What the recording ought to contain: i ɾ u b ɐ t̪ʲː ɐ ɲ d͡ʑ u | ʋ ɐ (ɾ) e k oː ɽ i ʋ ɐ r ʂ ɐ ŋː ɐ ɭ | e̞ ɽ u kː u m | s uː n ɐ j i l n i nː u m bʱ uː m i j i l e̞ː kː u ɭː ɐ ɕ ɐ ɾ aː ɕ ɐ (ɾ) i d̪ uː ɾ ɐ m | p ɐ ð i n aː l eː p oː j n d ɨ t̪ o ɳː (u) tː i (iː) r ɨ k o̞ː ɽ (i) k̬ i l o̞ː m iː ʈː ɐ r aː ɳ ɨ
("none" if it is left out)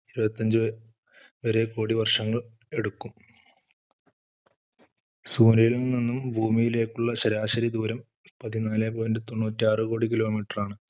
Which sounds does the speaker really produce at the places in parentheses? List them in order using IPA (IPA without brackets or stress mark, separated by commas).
ɾ, ɾ, uː, aː, i